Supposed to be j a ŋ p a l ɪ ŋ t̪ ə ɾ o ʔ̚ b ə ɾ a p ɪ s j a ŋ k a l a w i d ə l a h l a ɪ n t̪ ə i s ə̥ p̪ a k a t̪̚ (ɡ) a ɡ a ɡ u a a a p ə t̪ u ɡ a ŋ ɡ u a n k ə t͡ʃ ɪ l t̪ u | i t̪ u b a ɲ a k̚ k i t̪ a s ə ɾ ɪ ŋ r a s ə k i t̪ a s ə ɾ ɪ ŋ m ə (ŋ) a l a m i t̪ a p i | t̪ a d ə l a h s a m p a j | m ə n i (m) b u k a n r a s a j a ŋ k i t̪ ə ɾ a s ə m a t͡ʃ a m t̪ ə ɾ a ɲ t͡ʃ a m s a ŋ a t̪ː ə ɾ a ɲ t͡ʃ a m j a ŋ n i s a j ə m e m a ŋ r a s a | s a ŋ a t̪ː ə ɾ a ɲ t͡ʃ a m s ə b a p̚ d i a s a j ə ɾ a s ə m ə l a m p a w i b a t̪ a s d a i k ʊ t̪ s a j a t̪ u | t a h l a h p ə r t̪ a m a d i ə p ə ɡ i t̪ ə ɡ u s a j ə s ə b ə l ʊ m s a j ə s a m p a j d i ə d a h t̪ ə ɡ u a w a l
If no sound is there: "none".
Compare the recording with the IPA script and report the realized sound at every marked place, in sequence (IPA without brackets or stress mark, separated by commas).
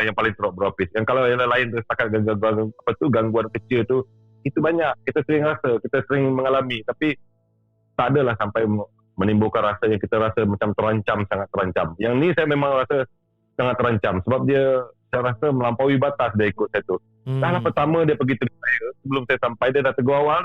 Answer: ɡ, ŋ, m